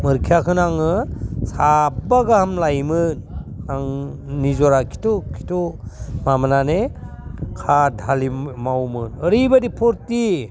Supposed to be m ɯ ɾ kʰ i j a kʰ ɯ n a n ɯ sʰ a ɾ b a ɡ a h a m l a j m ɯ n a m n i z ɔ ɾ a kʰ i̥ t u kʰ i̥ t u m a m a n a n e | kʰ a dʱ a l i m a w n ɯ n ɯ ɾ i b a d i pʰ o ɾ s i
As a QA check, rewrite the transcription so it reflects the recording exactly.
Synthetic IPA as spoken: m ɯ ɾ kʰ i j a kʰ ɯ n a ŋ ɯ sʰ a b a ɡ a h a m l a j m ɯ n a ŋ n i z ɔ ɾ a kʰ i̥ t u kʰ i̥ t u m a m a n a n e | kʰ a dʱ a l i m a w m ɯ n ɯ ɾ i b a d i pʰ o ɾ t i